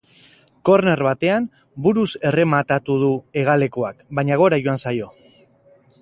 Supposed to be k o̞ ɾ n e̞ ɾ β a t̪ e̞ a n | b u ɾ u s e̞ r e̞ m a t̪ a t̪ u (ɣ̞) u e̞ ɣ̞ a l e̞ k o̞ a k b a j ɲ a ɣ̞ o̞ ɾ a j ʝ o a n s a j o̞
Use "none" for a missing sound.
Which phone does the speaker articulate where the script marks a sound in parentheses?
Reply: ð̞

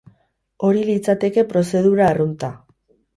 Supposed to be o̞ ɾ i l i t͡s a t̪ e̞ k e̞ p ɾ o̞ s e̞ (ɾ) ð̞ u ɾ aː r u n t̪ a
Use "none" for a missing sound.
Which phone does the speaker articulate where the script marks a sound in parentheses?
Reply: none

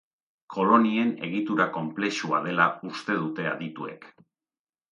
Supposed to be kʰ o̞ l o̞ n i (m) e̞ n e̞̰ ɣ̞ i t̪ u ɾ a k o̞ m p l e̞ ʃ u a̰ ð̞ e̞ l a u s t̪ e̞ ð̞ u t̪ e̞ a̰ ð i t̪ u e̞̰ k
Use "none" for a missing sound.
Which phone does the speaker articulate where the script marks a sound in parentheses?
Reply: none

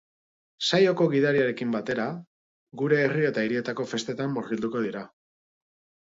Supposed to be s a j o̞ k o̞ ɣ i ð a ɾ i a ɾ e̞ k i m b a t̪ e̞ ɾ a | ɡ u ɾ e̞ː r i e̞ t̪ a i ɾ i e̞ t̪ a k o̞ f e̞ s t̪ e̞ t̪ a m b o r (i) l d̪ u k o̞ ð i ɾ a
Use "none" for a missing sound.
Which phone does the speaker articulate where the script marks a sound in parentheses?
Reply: i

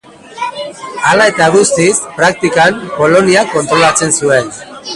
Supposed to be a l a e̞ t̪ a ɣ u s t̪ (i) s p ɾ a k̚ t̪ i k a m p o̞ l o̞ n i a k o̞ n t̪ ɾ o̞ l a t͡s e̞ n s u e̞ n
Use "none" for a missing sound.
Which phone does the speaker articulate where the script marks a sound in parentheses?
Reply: i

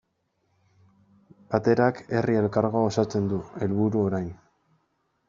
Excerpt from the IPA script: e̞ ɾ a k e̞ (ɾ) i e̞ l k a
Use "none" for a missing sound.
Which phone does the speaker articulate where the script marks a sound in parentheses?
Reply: r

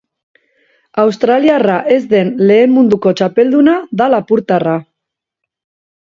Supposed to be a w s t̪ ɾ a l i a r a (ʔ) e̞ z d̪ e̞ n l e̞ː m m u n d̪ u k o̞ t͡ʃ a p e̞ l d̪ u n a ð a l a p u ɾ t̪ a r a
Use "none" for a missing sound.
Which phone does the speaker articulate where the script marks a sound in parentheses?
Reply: ʔ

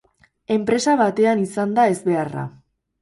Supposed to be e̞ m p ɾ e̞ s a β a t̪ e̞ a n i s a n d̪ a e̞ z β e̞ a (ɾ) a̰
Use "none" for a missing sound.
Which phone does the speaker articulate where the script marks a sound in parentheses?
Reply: r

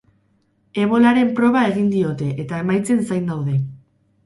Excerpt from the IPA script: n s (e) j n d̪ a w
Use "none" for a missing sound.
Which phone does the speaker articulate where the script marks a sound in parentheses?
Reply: a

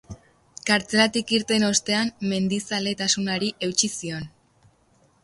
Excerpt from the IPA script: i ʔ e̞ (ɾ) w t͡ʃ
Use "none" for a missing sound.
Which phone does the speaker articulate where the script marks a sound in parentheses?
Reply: none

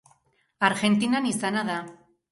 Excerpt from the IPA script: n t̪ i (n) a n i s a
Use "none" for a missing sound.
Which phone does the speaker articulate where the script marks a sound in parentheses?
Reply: n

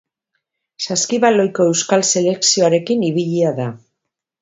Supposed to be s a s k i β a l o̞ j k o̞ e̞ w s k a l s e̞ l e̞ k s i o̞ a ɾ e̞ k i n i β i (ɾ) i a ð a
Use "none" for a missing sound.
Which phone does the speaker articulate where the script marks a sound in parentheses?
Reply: ʎ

